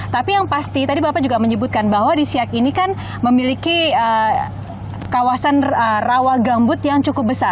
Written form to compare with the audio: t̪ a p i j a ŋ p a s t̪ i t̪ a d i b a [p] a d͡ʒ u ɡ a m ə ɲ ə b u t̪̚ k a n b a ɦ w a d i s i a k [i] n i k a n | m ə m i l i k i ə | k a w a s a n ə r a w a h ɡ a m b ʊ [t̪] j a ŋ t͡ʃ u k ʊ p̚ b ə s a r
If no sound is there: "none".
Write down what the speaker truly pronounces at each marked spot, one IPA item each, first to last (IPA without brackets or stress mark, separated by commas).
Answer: p, i, t̪